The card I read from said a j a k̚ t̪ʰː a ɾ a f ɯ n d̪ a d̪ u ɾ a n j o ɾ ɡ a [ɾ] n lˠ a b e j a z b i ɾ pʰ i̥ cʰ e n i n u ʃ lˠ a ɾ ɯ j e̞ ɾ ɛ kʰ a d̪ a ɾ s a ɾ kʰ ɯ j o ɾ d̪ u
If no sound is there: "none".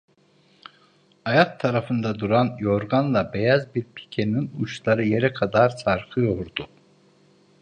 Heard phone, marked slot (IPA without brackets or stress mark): none